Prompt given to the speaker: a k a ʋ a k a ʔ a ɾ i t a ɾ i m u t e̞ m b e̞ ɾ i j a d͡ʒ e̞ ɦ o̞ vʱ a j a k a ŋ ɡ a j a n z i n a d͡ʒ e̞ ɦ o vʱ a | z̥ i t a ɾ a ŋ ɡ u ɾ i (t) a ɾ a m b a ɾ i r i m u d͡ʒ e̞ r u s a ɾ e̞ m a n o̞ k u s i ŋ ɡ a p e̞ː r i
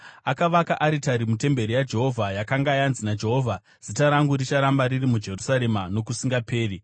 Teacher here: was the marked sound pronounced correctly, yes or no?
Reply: no